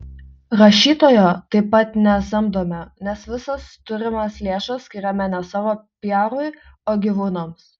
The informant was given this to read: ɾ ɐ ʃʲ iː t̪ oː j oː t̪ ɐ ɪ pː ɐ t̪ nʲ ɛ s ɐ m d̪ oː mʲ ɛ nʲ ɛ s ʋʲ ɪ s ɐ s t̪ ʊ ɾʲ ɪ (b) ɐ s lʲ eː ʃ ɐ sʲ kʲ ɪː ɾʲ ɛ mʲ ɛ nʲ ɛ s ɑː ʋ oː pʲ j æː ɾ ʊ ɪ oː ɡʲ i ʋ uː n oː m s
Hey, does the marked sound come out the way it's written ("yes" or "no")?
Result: no